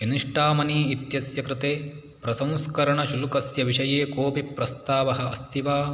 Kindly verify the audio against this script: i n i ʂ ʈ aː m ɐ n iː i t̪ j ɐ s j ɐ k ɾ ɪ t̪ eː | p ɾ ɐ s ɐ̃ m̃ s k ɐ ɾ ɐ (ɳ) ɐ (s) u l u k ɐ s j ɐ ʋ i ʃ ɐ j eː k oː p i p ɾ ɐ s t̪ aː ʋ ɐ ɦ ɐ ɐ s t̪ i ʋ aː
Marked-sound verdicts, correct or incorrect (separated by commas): correct, incorrect